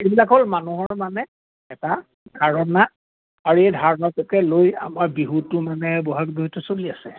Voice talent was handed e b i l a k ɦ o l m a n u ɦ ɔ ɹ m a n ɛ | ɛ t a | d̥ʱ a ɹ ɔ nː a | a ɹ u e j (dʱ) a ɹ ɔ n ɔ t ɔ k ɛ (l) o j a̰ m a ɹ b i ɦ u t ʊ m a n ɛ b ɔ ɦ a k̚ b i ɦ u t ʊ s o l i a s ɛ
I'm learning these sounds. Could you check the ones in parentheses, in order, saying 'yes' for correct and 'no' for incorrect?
yes, yes

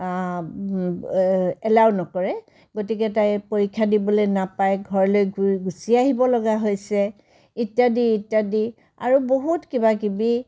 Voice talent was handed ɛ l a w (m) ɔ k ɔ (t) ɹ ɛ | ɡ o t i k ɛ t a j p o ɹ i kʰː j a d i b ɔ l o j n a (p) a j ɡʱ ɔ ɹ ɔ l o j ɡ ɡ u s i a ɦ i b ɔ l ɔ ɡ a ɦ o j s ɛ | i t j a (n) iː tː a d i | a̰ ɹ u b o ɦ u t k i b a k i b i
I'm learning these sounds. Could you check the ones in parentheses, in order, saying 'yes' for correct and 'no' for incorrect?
no, no, yes, no

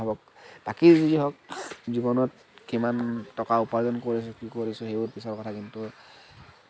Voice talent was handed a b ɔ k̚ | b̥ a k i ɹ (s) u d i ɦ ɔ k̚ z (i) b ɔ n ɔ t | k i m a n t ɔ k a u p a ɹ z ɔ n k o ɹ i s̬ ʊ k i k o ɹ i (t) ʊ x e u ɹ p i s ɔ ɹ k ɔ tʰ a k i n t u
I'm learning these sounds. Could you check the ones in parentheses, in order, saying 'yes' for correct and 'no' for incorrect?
no, yes, no

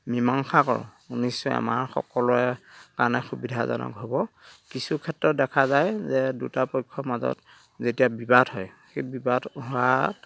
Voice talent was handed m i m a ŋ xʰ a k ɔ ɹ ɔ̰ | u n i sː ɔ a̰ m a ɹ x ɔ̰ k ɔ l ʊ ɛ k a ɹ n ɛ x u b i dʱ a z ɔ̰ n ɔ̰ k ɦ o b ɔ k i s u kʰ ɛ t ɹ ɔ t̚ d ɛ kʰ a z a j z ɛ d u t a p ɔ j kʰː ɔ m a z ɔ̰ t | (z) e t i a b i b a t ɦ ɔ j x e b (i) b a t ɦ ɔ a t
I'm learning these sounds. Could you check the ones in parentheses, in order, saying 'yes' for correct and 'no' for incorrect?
yes, yes

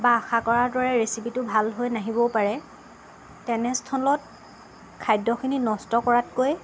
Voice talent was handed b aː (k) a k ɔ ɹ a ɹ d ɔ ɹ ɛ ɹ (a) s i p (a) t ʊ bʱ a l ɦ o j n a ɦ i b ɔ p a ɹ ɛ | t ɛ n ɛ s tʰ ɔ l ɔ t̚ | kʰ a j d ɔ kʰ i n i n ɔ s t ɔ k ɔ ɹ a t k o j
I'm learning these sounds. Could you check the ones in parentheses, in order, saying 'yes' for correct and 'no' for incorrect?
no, no, no

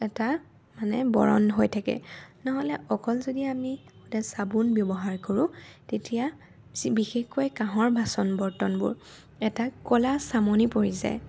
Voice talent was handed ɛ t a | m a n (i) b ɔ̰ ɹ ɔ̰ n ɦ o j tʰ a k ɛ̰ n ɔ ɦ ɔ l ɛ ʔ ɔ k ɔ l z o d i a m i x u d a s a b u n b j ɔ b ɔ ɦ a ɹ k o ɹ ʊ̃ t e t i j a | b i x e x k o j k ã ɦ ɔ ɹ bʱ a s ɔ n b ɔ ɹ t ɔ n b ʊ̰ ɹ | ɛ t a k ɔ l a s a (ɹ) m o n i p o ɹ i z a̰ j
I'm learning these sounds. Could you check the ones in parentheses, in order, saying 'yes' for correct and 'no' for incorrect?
no, no

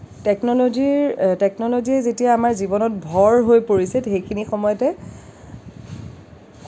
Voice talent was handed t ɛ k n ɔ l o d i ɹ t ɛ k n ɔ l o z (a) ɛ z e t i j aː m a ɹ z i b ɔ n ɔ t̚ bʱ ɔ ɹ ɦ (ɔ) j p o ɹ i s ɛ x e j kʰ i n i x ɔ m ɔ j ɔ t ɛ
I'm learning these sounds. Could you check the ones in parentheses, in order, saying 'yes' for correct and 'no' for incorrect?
no, no

